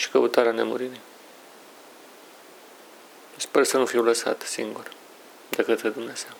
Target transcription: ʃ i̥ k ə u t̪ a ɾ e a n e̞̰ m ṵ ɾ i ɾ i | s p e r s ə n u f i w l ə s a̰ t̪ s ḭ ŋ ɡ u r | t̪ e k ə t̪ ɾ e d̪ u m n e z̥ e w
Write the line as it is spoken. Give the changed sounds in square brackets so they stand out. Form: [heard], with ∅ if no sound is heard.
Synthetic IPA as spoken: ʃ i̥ k ə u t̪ a ɾ e a n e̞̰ m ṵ ɾ i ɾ i | s p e r s ə n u f i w l ə s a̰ t̪ s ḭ ŋ ɡ u r | [d̪] e k ə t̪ ɾ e d̪ u m n e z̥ e w